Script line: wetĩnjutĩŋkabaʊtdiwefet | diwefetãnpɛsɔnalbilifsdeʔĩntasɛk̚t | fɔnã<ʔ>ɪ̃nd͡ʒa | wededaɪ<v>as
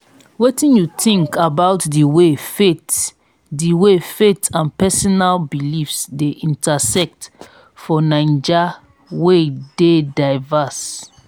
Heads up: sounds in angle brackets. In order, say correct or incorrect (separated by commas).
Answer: incorrect, correct